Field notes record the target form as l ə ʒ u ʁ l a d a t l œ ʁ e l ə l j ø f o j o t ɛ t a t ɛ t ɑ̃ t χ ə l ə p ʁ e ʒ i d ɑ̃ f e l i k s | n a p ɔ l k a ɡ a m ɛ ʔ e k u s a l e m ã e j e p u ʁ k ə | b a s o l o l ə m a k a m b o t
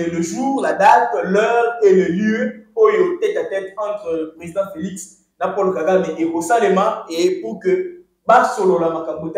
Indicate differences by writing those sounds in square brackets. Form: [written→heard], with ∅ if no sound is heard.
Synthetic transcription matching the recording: l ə ʒ u ʁ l a d a t l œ ʁ e l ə l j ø [f→∅] o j o t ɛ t a t ɛ t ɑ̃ t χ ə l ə p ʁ e [ʒ→z] i d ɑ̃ f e l i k s | n a p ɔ l k a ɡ a m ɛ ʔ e k [u→o] s a l e m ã e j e p u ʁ k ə | b a s o l o l [ə→a] m a k a m b o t